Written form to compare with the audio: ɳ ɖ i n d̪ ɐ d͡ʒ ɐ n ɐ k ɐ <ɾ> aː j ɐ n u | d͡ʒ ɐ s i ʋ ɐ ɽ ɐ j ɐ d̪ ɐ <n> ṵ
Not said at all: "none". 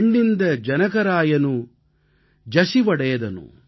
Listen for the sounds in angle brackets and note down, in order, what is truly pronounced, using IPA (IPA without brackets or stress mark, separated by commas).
ɾ, n